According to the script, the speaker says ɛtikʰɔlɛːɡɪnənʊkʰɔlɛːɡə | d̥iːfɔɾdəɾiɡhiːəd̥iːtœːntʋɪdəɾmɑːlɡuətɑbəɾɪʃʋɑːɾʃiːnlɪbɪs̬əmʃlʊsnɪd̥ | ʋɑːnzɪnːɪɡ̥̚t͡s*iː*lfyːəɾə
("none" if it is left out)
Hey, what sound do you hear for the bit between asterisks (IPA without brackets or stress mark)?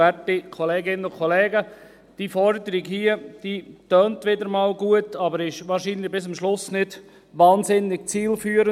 iː